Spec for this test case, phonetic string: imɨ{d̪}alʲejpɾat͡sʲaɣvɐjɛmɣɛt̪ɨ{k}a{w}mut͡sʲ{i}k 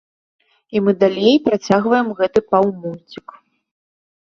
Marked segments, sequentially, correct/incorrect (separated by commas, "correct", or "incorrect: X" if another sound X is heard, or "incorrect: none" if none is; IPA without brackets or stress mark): correct, incorrect: p, correct, correct